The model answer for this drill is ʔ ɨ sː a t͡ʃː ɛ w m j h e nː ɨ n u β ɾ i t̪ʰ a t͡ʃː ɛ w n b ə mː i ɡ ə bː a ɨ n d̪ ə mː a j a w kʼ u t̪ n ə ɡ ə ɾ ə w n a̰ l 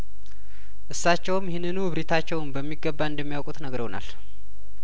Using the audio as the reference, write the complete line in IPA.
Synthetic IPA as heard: ʔ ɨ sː a t͡ʃː ɛ w m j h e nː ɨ n u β ɾ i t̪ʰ a t͡ʃː ɛ w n b ə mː i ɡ ə bː a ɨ n d̪ ə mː i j a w kʼ u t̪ n ə ɡ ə ɾ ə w n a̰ l